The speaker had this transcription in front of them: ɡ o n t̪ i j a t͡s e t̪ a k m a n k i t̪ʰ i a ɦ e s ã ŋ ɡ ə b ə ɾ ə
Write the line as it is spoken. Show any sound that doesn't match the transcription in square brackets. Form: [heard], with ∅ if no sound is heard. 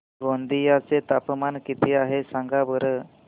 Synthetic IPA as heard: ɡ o n [d̪] i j a t͡s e t̪ a [p] m a n k i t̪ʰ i a ɦ e s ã ŋ ɡ [a] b ə ɾ ə